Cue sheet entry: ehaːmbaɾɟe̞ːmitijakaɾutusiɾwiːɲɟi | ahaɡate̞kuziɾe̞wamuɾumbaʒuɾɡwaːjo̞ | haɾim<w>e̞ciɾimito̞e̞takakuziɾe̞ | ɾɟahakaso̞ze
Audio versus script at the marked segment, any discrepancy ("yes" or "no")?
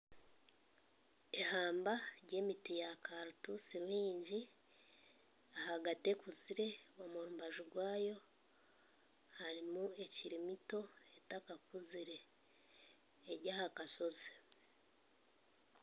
yes